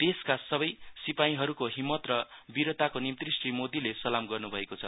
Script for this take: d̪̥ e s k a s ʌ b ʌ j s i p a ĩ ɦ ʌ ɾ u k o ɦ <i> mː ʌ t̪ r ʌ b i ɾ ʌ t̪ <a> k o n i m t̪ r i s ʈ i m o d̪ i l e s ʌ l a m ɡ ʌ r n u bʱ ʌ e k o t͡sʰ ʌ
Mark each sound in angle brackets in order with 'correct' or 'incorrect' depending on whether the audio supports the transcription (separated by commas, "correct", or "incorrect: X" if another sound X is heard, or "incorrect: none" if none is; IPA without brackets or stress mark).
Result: correct, correct